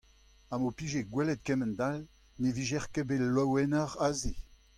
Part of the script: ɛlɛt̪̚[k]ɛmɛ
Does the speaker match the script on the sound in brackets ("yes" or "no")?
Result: yes